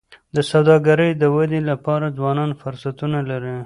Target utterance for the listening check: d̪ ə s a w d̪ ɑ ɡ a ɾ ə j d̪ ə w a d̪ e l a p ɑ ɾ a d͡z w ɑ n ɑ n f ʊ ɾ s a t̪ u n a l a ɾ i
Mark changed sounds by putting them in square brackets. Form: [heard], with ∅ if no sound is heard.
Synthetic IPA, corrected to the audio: d̪ ə s a w d̪ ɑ ɡ a ɾ ə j d̪ ə w a d̪ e l a p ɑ ɾ a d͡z w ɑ n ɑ n f ʊ ɾ s a t̪ u n a l a ɾ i